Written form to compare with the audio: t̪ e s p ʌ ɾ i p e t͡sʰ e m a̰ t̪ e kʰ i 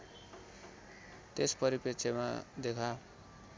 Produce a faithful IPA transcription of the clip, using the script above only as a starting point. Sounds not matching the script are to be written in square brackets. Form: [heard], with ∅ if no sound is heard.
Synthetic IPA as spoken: t̪ e s p ʌ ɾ i p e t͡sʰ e m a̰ [d̪] e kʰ [a]